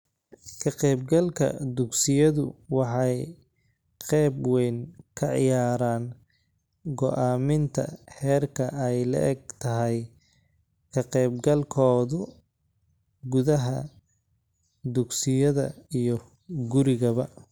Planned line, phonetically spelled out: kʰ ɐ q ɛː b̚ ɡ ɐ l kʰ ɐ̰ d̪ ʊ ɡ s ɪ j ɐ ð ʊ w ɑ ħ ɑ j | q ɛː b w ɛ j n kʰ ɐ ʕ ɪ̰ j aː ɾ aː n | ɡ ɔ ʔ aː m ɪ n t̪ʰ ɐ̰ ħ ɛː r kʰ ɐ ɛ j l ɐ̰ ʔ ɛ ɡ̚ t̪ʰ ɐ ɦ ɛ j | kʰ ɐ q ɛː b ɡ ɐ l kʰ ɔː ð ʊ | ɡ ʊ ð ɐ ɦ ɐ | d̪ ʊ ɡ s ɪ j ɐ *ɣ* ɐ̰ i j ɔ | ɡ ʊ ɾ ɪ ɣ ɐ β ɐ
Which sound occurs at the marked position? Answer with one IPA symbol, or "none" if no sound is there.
ð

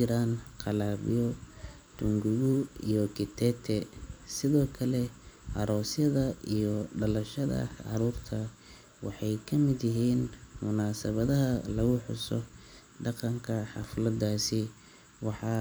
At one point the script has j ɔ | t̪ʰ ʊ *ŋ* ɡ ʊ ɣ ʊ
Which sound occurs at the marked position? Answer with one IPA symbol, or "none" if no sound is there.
ŋ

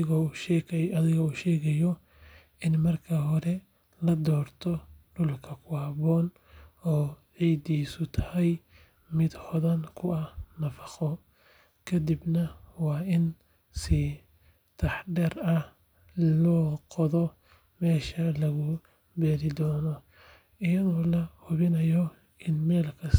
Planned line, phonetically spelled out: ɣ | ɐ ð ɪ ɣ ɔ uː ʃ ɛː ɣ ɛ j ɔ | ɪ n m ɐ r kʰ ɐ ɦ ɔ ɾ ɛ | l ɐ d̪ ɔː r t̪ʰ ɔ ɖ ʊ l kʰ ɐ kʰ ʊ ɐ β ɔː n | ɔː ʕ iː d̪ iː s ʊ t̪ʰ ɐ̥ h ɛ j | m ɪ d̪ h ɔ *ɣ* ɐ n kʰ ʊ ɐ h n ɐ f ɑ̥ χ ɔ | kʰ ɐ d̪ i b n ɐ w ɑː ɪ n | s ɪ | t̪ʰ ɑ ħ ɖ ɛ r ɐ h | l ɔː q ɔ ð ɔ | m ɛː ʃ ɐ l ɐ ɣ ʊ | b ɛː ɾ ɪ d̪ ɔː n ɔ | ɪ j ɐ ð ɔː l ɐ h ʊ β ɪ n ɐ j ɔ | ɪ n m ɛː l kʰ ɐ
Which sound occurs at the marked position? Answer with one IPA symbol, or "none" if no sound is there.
ð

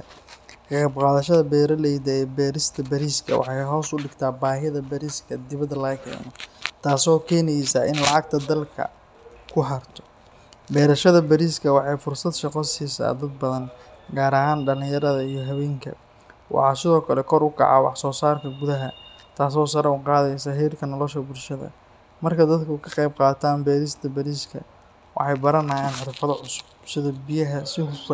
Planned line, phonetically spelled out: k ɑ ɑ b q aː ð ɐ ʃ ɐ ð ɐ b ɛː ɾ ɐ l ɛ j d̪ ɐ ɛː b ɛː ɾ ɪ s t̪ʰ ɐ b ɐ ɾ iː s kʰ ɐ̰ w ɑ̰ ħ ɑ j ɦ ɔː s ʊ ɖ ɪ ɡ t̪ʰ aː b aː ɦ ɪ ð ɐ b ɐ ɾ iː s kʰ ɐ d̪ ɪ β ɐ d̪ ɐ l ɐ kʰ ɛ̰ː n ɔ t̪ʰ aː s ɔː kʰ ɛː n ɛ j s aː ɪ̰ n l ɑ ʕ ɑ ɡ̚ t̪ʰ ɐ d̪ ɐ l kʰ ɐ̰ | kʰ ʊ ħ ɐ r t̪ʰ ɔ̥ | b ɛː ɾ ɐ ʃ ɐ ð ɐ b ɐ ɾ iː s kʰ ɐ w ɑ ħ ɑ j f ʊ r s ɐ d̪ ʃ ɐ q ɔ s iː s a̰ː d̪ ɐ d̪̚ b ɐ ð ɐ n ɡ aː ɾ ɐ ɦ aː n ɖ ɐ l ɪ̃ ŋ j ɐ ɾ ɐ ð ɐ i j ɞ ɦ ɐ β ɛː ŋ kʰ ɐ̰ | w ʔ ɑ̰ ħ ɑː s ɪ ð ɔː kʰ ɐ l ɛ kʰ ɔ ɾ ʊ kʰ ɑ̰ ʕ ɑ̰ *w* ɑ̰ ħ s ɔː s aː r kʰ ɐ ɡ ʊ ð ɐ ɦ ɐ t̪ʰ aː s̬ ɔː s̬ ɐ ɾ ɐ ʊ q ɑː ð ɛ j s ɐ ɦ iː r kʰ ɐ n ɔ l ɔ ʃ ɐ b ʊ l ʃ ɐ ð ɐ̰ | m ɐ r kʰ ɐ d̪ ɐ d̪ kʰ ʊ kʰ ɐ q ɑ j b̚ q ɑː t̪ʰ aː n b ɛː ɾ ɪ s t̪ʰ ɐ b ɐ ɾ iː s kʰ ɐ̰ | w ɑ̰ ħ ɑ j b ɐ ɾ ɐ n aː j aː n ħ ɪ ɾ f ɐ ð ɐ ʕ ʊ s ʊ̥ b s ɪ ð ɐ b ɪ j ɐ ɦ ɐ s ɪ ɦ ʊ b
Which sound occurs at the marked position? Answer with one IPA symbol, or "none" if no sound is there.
w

